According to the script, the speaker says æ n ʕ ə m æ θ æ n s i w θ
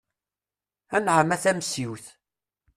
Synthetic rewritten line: æ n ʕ ə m æ θ æ m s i w θ